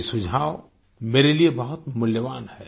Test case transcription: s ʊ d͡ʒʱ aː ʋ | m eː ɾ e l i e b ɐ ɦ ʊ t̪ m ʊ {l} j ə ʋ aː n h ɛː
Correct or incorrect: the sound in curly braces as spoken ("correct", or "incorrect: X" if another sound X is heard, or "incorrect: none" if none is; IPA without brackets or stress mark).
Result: correct